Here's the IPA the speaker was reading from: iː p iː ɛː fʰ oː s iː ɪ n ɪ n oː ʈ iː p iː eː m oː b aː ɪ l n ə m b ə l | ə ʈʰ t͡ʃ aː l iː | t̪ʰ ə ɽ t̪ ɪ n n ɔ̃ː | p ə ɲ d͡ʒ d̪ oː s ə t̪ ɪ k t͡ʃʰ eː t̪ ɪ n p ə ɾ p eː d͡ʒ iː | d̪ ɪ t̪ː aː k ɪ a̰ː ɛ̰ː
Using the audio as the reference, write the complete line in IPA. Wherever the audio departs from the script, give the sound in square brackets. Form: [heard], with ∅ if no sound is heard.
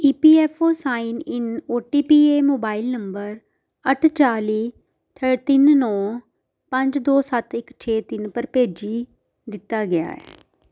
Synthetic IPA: iː p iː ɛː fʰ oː s [aː] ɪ n ɪ n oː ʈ iː p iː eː m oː b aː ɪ l n ə m b ə [ɾ] | ə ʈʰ t͡ʃ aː l iː | t̪ʰ ə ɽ t̪ ɪ n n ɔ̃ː | p ə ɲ d͡ʒ d̪ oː s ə t̪ ɪ k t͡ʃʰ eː t̪ ɪ n p ə ɾ p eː d͡ʒ iː | d̪ ɪ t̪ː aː [ɡ] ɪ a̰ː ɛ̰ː

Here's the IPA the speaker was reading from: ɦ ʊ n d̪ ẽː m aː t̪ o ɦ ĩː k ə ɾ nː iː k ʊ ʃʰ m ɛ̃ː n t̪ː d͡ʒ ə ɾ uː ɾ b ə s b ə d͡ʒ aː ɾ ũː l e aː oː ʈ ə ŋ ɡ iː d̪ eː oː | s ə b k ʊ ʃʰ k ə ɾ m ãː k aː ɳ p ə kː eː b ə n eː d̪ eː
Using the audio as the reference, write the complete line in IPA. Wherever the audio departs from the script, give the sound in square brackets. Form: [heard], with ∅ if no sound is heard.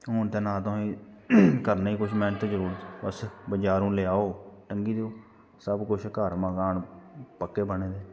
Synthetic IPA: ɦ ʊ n [t̪] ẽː [n] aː t̪ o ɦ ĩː k ə ɾ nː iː k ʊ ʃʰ m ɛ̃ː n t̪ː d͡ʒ ə ɾ uː ɾ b ə s b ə d͡ʒ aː ɾ ũː l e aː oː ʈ ə ŋ ɡ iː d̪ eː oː | s ə b k ʊ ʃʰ k ə ɾ m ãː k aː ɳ p ə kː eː b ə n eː d̪ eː

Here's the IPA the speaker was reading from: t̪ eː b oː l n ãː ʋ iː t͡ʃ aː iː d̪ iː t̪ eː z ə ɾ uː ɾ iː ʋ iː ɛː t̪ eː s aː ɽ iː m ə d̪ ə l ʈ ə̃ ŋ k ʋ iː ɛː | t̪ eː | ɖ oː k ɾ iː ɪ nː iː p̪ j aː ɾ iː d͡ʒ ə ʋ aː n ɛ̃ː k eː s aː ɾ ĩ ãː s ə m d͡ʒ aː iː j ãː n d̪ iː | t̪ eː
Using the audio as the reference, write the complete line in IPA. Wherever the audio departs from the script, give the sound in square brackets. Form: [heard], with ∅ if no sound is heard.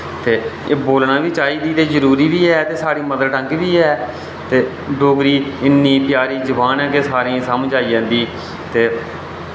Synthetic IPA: t̪ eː b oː l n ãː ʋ iː t͡ʃ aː iː d̪ iː t̪ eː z ə ɾ uː ɾ iː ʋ iː ɛː t̪ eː s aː ɽ iː m ə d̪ ə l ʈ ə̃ ŋ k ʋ iː ɛː | t̪ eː | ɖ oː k ɾ iː ɪ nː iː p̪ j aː ɾ iː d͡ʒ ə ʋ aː n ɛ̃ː k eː s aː ɾ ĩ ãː s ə m d͡ʒ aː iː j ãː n d̪ iː | t̪ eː

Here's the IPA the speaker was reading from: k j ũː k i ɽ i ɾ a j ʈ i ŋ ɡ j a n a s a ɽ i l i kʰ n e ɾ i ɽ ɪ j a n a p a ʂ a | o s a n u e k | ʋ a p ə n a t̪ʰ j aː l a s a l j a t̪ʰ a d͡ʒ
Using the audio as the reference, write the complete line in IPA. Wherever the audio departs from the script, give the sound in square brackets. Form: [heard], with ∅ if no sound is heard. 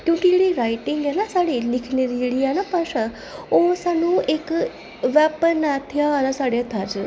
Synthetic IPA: k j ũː k i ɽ i ɾ a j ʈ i ŋ ɡ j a n a s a ɽ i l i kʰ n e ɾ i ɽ [i] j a n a p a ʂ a | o s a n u e k | ʋ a p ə n a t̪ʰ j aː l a s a [ɽ] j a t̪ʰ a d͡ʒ

